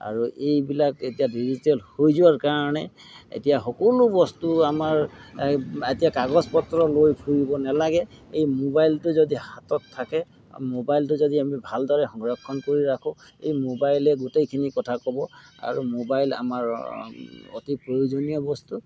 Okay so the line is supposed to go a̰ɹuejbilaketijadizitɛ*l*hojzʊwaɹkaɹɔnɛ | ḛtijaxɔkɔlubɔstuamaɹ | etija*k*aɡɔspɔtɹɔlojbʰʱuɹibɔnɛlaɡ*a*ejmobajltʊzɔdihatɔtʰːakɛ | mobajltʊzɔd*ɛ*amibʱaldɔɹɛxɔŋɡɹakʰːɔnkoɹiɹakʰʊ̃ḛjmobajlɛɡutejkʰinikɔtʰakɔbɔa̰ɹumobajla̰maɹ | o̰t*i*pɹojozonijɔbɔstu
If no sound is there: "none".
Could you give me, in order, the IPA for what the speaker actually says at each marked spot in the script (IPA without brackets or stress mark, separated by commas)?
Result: l, k, ɛ, i, i